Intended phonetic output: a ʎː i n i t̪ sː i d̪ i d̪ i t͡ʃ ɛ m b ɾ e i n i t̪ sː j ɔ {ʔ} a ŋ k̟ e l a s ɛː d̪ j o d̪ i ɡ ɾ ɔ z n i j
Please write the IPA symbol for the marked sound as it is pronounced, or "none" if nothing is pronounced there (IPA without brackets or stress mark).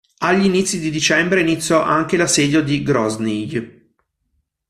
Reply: ʔ